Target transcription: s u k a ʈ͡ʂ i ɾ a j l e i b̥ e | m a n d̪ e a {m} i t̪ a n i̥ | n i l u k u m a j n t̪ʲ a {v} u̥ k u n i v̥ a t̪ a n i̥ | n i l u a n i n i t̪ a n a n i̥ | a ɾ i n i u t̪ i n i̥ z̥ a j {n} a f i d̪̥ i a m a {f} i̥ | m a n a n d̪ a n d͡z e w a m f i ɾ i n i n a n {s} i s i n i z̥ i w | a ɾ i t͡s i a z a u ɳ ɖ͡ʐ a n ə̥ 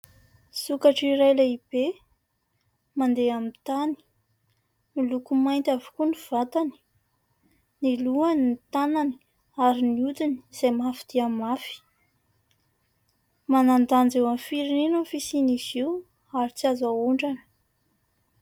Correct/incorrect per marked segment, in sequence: correct, correct, incorrect: m, correct, incorrect: f

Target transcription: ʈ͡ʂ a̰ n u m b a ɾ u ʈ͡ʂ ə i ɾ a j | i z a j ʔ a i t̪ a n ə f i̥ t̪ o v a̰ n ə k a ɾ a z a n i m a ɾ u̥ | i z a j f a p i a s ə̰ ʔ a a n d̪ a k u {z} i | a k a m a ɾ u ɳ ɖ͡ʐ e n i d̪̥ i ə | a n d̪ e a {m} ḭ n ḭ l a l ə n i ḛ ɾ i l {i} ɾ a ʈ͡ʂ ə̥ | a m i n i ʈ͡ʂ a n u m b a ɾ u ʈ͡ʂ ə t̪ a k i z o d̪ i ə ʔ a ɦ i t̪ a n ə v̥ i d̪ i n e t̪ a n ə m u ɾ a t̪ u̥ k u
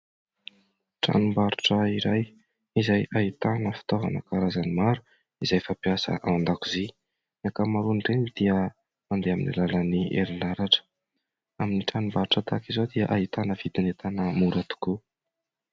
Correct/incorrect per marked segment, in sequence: correct, correct, incorrect: a

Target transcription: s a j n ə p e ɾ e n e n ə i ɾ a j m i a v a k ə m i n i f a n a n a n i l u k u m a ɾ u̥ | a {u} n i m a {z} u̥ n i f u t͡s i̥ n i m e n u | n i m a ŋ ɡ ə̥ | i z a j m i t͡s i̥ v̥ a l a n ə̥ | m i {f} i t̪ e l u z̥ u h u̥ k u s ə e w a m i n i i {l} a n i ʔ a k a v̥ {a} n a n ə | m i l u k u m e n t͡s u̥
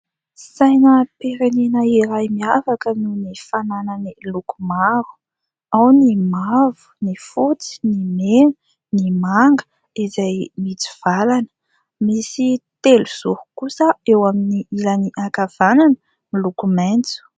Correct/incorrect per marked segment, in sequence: incorrect: w, incorrect: v, incorrect: s, correct, correct

